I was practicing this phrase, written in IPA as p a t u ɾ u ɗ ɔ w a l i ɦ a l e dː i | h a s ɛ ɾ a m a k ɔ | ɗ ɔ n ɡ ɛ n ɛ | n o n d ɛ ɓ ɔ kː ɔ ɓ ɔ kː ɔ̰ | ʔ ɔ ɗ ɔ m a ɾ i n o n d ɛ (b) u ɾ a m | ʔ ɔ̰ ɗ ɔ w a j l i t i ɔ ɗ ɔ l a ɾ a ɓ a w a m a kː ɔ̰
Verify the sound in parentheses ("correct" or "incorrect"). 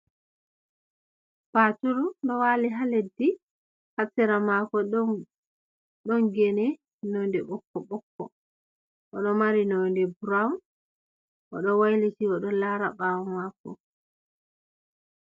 correct